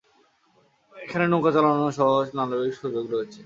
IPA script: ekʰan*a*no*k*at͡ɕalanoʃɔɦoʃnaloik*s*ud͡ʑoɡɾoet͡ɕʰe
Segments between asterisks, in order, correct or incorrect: incorrect: e, correct, incorrect: ʃ

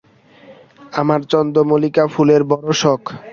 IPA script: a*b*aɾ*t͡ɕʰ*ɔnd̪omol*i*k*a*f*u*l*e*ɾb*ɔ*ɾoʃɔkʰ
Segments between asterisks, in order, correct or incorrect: incorrect: m, incorrect: t͡ɕ, correct, correct, correct, correct, correct

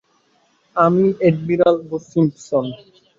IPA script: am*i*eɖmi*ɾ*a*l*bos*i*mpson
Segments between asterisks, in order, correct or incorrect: correct, correct, correct, correct

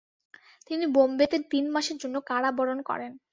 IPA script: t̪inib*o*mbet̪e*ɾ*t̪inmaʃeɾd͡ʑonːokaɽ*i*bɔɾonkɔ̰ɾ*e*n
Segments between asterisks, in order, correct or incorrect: correct, correct, incorrect: a, correct

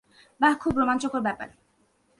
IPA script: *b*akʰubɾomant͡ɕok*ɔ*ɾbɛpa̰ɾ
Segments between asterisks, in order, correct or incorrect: correct, incorrect: o

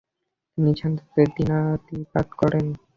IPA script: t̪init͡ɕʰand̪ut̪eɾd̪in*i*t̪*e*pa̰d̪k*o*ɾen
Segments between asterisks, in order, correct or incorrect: incorrect: a, incorrect: i, incorrect: ɔ

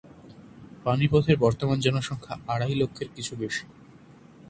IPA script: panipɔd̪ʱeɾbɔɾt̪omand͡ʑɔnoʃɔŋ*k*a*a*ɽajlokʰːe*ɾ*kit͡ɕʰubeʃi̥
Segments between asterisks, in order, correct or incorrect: incorrect: kʰ, correct, correct

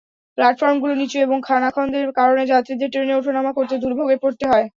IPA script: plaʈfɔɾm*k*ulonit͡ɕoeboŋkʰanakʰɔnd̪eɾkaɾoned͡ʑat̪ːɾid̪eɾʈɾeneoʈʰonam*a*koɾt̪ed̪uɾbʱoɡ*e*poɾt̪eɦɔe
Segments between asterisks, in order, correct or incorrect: incorrect: ɡ, correct, correct

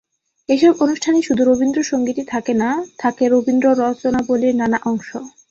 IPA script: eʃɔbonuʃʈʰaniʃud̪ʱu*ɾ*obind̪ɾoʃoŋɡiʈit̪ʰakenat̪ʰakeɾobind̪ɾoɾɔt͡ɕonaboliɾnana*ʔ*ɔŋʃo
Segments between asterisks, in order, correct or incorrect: correct, correct

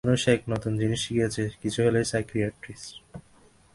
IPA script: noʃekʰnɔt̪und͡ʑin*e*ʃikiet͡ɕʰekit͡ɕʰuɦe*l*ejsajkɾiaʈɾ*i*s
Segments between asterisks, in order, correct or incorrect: incorrect: i, correct, correct

